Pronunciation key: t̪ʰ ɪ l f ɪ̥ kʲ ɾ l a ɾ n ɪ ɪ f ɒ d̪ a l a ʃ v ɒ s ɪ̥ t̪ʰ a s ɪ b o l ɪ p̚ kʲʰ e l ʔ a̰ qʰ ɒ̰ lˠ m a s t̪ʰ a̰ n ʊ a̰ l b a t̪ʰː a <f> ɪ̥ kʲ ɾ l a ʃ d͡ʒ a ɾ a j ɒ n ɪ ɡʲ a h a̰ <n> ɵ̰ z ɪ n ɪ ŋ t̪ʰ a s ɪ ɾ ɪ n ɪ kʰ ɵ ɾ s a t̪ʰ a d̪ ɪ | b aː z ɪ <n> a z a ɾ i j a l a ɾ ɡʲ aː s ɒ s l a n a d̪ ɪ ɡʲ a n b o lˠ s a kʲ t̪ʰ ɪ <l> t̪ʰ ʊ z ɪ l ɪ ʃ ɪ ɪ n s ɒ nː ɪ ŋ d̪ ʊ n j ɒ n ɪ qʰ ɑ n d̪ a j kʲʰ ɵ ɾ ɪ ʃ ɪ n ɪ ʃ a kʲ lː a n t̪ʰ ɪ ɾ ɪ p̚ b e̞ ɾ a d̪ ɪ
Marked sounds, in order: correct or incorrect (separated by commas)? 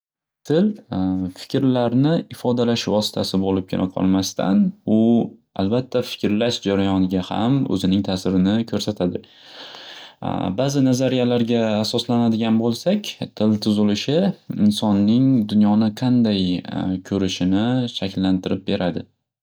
correct, incorrect, correct, correct